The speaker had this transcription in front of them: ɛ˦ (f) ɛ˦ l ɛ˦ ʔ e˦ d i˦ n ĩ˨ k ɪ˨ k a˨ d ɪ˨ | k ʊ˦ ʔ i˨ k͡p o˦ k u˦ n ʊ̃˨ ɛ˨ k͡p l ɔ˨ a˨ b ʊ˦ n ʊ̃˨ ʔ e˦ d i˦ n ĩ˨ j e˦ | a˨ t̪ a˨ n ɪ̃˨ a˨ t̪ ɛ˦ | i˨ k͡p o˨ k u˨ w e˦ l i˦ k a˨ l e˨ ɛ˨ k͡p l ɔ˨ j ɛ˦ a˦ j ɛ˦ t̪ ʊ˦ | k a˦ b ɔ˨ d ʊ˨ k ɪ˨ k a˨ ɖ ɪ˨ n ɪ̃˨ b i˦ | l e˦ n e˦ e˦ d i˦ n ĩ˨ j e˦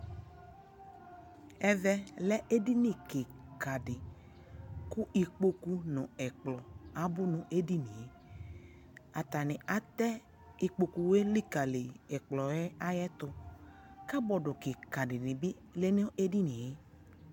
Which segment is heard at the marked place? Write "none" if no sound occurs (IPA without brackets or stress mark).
v